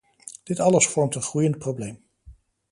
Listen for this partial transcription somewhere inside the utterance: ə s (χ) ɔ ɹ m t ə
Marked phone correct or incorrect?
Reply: incorrect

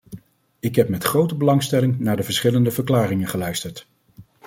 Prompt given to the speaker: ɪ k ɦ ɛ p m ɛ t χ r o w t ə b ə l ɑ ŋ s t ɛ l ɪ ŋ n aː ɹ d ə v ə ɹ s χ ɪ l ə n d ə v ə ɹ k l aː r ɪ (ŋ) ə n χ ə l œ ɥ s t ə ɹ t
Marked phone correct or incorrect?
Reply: correct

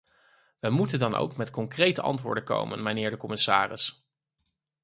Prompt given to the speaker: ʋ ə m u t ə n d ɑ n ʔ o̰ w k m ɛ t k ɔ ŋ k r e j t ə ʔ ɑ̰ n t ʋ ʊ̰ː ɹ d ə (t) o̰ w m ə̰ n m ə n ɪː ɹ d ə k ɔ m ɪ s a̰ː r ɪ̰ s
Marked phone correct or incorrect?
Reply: incorrect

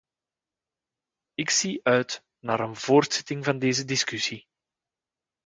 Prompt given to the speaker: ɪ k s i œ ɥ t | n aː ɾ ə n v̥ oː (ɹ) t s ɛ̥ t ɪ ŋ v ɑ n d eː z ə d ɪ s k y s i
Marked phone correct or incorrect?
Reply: incorrect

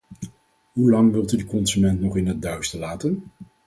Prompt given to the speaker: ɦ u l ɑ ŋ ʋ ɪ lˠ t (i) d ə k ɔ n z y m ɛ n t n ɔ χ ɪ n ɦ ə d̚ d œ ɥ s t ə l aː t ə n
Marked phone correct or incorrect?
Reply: incorrect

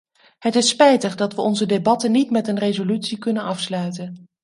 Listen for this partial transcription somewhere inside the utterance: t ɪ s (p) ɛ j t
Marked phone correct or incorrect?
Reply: correct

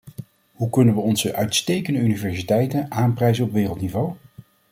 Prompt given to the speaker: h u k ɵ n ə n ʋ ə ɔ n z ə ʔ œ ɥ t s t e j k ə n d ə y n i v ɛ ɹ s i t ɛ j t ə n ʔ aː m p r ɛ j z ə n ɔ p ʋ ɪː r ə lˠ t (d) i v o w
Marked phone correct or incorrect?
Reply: incorrect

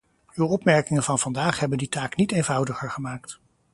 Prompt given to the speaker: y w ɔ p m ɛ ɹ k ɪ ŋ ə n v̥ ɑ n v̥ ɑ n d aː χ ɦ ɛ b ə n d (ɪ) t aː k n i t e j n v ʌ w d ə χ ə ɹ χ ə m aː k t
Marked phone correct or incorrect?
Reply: incorrect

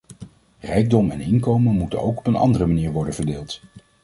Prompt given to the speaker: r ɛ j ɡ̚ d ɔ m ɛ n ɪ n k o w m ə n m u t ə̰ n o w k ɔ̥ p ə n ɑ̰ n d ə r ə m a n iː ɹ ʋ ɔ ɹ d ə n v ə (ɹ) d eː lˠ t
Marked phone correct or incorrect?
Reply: correct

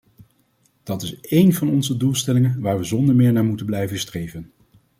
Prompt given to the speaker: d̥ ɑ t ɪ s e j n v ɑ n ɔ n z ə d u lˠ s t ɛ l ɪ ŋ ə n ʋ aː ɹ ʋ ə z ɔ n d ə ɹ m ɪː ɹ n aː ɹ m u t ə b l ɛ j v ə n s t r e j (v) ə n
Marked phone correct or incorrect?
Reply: correct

